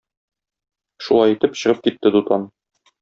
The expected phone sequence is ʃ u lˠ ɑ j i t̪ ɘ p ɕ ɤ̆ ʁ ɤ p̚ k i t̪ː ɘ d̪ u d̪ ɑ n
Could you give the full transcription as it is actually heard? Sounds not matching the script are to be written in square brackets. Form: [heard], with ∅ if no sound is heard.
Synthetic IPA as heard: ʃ u lˠ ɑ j i t̪ ɘ p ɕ ɤ̆ ʁ ɤ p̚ k i t̪ː ɘ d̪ u [t̪] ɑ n